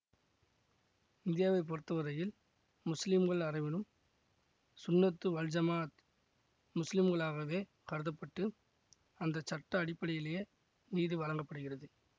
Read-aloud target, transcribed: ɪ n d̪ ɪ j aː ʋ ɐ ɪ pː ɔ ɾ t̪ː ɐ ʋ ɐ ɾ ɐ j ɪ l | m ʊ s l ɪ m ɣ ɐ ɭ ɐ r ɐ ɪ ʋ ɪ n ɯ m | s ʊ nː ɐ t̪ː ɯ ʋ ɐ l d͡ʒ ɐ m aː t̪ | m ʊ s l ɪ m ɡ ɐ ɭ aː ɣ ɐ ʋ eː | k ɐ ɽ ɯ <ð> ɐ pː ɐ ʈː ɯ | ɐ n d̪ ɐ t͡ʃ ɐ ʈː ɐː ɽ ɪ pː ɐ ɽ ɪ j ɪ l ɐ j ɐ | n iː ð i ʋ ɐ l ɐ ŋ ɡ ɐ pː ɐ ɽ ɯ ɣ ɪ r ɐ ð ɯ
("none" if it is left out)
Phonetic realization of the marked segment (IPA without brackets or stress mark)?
ð